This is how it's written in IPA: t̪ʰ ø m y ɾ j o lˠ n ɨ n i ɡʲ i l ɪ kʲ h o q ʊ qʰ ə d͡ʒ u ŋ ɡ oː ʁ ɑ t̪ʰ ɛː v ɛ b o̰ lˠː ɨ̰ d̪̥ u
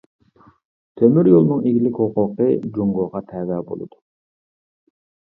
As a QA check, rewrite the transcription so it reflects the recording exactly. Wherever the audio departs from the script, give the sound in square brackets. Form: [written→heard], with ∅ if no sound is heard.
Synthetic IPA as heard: t̪ʰ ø m y ɾ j o lˠ n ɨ [n→ŋ] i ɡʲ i l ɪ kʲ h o q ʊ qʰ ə d͡ʒ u ŋ ɡ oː ʁ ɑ t̪ʰ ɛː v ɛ b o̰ [lˠː→lˠ] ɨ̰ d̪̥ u